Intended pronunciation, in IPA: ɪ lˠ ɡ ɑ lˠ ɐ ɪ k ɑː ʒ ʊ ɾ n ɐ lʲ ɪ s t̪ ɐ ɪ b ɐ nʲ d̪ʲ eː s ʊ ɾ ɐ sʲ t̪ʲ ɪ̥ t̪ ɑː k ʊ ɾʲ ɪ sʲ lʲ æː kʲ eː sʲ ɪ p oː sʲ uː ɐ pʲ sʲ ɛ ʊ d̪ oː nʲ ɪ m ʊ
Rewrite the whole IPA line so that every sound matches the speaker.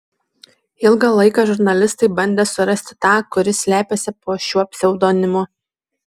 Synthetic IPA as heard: ɪ lˠ ɡ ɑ lˠ ɐ ɪ k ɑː ʒ ʊ ɾ n ɐ lʲ ɪ s t̪ ɐ ɪ b ɐ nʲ d̪ʲ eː s ʊ ɾ ɐ sʲ t̪ʲ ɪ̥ t̪ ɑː k ʊ ɾʲ ɪ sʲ lʲ æː pʲ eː sʲ ɪ p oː ʃʲ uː ɐ pʲ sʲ ɛ ʊ d̪ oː nʲ ɪ m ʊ